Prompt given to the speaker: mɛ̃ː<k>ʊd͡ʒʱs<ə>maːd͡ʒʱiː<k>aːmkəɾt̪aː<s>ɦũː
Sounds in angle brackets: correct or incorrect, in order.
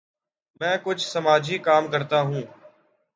correct, correct, correct, incorrect: none

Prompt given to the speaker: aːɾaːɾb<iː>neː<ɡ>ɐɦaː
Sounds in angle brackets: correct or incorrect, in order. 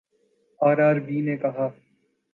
correct, incorrect: k

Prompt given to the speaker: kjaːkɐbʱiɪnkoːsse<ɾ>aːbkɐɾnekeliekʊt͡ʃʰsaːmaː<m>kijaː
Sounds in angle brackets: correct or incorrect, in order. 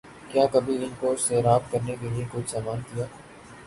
correct, incorrect: n

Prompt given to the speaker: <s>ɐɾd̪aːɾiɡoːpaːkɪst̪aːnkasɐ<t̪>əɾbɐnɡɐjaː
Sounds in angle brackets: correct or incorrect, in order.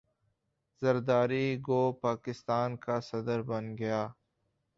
incorrect: z, incorrect: d̪

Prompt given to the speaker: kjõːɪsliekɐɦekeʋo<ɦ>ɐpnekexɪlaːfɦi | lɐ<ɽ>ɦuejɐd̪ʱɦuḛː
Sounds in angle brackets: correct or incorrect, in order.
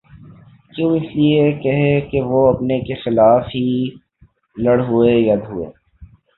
incorrect: none, correct

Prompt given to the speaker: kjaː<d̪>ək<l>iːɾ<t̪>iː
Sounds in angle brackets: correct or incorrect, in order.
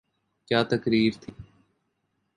incorrect: t̪, incorrect: ɾ, incorrect: t̪ʰ

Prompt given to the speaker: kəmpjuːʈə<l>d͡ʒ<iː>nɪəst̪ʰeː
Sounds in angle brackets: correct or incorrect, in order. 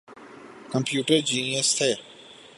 incorrect: ɾ, correct

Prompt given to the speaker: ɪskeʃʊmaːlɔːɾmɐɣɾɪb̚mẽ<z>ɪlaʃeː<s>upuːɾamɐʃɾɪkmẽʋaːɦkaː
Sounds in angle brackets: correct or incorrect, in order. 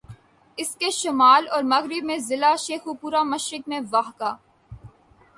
correct, incorrect: x

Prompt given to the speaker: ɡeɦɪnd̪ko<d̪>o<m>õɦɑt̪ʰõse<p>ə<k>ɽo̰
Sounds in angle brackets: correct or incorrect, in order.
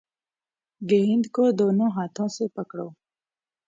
correct, incorrect: n, correct, correct

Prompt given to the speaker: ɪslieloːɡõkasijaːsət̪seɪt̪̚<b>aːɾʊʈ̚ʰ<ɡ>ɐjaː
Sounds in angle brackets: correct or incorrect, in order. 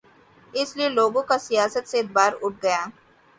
correct, correct

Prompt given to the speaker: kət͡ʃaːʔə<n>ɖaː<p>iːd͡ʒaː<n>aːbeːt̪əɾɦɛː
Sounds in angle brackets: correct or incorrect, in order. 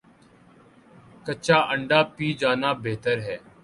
incorrect: ɳ, correct, correct

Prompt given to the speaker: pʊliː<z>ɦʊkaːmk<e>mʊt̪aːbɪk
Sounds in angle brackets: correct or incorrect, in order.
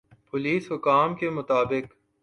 incorrect: s, correct

